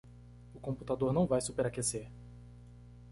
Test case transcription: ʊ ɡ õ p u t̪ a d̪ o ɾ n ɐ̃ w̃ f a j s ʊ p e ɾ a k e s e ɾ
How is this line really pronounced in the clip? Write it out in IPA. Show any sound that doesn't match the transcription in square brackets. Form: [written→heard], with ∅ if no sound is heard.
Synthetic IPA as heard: ʊ [ɡ→k] õ p u t̪ a d̪ o ɾ n ɐ̃ w̃ [f→v] a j s [ʊ→u] p e ɾ a k e s e ɾ